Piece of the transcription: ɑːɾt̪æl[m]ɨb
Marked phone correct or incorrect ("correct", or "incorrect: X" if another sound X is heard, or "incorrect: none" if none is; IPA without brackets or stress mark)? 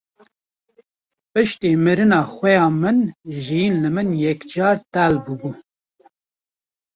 incorrect: b